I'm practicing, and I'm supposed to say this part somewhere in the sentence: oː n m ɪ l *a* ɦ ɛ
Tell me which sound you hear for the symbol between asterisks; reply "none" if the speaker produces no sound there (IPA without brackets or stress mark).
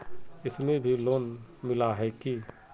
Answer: a